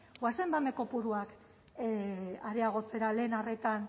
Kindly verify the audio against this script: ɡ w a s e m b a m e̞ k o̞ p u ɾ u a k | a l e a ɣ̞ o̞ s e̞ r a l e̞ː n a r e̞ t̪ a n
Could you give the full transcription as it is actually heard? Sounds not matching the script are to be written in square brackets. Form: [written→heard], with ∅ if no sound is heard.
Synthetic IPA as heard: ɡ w a s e m b a m e̞ k o̞ p u ɾ u a k | a [l→ɾ] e a ɣ̞ o̞ [s→t͡s] e̞ [r→ɾ] a l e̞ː n a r e̞ t̪ a n

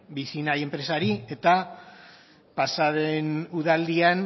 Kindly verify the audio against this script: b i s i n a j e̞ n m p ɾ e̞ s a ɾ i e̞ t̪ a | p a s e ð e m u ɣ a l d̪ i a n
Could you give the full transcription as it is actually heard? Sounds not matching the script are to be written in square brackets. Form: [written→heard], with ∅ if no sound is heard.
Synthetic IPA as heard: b i s i n a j e̞ [n→∅] m p ɾ e̞ s a ɾ i e̞ t̪ a | p a s [e→a] ð e [m→n] u [ɣ→ð] a l d̪ i a n

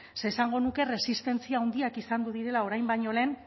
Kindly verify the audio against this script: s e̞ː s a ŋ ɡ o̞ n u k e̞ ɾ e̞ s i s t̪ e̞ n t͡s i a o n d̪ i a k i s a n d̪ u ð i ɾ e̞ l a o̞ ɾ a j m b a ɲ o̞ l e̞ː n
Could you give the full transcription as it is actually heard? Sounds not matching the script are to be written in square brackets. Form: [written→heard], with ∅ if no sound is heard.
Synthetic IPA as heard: s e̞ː s a ŋ ɡ o̞ n u k e̞ [ɾ→r] e̞ s i s t̪ e̞ n t͡s i a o n d̪ i a k i s a n d̪ u ð i ɾ e̞ l a o̞ ɾ a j m b a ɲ o̞ l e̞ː n

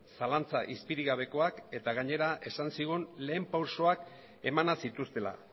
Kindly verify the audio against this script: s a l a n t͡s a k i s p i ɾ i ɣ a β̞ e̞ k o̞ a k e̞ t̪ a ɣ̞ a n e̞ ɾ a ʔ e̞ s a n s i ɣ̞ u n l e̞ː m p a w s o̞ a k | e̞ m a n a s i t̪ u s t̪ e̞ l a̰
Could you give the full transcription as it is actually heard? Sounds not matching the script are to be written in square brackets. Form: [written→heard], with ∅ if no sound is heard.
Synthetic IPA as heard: s a l a n t͡s a [k→ʔ] i s p i ɾ i ɣ a β̞ e̞ k o̞ a k e̞ t̪ a ɣ̞ a [n→ɲ] e̞ ɾ a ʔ e̞ s a n s i ɣ̞ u n l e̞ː m p a w s o̞ a k | e̞ m a n a s i t̪ u s t̪ e̞ l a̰

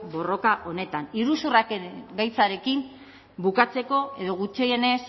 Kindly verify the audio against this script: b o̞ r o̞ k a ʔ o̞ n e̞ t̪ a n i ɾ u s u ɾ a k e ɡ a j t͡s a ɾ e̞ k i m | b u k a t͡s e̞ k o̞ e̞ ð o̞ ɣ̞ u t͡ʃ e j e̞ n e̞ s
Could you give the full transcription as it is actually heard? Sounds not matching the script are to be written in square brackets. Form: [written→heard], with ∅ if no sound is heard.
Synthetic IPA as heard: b o̞ r o̞ k a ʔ o̞ n e̞ t̪ a n i ɾ u s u [ɾ→r] a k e ɡ a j t͡s a ɾ e̞ k i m | b u k a t͡s e̞ k o̞ e̞ ð o̞ ɣ̞ u t͡ʃ e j e̞ n e̞ s

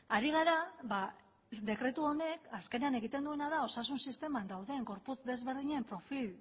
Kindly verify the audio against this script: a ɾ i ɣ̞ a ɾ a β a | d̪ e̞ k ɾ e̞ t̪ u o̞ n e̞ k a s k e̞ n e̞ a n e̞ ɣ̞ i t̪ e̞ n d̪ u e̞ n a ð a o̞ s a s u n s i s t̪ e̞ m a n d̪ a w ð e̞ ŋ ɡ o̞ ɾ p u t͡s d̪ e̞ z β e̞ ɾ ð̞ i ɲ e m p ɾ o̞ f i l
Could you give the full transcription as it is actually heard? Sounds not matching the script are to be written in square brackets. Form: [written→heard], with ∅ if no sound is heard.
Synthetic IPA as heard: a ɾ i ɣ̞ a ɾ a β a | d̪ e̞ k ɾ e̞ t̪ u o̞ n e̞ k a s k e̞ n e̞ a n e̞ ɣ̞ i t̪ e̞ n d̪ u e̞ n a ð a o̞ s a s u n s i s t̪ e̞ m a n d̪ a w ð e̞ ŋ ɡ o̞ ɾ p u t͡s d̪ e̞ z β e̞ ɾ ð̞ i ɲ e m p ɾ o̞ f i l

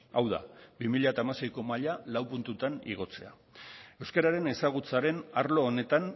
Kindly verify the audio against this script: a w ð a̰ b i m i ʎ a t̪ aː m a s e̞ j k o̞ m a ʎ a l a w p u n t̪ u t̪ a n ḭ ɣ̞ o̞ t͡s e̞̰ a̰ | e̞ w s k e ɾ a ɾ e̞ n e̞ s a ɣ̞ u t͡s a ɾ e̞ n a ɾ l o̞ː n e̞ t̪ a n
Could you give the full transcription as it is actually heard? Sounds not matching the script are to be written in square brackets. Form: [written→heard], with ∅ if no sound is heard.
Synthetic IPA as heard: a w ð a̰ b i m i ʎ a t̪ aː m a s e̞ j k o̞ m a ʎ a l a w p u n t̪ u t̪ a n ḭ ɣ̞ o̞ t͡s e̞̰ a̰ | e̞ w s k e ɾ a ɾ e̞ n e̞ s a ɣ̞ u t͡s a ɾ e̞ n a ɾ l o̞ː n e̞ t̪ a n

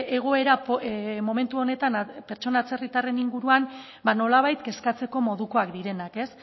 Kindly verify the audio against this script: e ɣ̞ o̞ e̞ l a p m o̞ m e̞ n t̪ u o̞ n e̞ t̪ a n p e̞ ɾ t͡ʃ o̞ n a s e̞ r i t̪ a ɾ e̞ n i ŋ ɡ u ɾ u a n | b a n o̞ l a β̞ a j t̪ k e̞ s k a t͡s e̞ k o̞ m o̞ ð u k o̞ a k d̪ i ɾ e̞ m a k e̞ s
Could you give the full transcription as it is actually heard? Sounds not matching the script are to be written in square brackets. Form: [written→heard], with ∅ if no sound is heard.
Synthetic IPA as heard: e ɣ̞ o̞ e̞ [l→ɾ] a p m o̞ m e̞ n t̪ u o̞ n e̞ t̪ a n p e̞ ɾ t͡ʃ o̞ n a [s→t͡s] e̞ r i t̪ a [ɾ→r] e̞ n i ŋ ɡ u ɾ u a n | b a n o̞ l a β̞ a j t̪ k e̞ s k a t͡s e̞ k o̞ m o̞ ð u k o̞ a k d̪ i ɾ e̞ [m→n] a k e̞ s

